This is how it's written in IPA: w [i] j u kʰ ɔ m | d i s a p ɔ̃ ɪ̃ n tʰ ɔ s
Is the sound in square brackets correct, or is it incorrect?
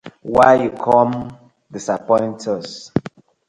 incorrect